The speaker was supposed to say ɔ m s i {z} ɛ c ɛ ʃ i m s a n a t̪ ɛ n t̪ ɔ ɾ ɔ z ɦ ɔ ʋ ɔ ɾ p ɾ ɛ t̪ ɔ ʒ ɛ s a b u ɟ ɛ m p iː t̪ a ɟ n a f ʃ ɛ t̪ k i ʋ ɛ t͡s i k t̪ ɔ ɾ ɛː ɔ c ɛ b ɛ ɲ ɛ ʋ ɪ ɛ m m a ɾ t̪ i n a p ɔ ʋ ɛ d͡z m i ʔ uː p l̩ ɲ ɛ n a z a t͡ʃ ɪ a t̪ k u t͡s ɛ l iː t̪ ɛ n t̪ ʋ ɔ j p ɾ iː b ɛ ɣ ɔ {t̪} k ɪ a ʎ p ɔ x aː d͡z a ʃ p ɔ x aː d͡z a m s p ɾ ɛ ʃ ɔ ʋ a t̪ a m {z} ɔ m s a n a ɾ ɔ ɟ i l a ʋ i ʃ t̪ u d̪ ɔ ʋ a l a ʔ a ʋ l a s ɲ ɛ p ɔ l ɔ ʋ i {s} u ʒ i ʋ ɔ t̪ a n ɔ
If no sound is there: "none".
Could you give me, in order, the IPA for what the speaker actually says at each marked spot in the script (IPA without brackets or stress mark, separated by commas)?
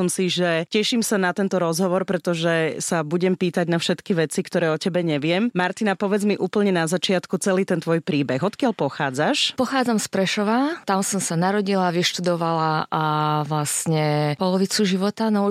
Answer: ʒ, t̪, s, t͡s